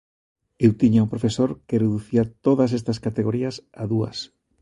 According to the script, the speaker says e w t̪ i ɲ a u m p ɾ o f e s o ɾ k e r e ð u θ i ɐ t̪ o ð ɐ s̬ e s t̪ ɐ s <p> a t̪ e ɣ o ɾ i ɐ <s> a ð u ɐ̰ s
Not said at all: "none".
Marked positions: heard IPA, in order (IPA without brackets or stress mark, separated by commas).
k, s